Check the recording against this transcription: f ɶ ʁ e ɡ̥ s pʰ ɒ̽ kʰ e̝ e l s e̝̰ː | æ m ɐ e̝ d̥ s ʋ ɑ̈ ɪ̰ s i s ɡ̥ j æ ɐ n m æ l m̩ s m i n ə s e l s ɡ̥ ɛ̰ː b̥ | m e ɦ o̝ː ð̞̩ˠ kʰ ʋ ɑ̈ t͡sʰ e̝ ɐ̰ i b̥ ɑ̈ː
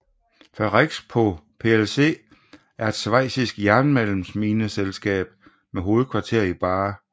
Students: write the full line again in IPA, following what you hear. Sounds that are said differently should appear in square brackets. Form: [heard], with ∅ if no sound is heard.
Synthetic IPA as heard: f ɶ ʁ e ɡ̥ s pʰ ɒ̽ [pʰ] e̝ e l s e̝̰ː | æ [∅] ɐ e̝ d̥ s ʋ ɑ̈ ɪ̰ s i s ɡ̥ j æ ɐ n m [e] l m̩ s m i n ə s e l s ɡ̥ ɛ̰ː b̥ | m e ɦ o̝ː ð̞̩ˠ kʰ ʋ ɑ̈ t͡sʰ e̝ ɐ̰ i b̥ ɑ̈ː